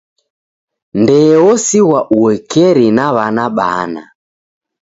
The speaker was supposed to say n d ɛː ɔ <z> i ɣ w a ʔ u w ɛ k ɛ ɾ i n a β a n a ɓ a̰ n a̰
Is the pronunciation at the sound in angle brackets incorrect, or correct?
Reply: incorrect: s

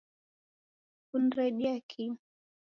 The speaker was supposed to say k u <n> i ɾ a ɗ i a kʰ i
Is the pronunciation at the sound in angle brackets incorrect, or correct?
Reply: correct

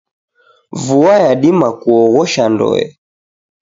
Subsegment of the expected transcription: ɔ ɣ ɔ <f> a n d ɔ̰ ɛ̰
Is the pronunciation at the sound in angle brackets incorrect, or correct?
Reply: incorrect: ʃ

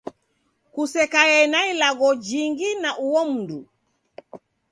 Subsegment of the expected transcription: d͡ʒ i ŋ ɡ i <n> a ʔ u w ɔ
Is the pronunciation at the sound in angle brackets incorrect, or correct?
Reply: correct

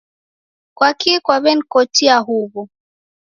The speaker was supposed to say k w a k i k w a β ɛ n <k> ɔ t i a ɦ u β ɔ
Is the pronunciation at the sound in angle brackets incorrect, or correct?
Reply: correct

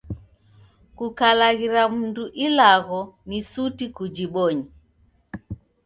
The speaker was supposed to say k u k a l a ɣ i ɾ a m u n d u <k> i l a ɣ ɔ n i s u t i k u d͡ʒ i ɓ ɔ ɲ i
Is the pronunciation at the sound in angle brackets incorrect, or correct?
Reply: incorrect: ʔ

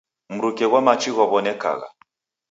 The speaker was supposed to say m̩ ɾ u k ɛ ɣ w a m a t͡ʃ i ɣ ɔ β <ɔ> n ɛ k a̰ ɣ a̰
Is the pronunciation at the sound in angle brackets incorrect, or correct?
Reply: correct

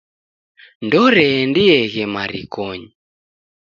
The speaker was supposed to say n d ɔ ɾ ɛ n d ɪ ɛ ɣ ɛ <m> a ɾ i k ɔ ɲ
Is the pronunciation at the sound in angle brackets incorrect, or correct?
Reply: correct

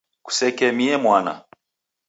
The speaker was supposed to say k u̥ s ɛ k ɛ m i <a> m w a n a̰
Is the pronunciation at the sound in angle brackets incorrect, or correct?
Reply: incorrect: ɛ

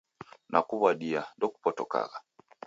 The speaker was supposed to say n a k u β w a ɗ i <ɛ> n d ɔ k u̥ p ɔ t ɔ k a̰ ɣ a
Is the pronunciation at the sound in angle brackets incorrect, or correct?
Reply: incorrect: a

